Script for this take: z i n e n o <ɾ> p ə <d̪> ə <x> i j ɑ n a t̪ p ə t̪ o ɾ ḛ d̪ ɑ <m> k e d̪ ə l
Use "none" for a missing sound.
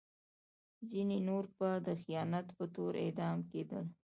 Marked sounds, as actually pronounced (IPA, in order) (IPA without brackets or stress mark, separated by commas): ɾ, d̪, x, m